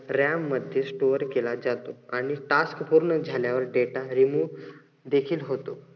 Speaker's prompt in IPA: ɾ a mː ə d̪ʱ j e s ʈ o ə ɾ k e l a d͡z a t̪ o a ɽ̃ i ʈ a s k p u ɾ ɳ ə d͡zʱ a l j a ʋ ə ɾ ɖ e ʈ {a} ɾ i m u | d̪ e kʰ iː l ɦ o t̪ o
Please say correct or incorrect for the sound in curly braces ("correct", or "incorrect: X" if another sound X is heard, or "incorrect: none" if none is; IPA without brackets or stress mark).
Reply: correct